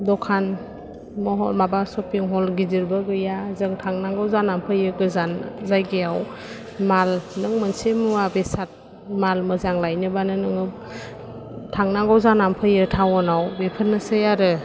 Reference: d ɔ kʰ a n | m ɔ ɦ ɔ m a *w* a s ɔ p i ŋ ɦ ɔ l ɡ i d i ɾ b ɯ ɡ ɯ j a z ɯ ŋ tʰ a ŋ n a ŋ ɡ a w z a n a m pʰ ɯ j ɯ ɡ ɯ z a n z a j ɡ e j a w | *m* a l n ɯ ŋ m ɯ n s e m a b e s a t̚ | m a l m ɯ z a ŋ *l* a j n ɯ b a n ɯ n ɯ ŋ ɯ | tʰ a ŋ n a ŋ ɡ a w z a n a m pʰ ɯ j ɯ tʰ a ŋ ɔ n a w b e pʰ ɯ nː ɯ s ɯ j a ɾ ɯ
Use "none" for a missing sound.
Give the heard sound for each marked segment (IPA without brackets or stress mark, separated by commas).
b, m, l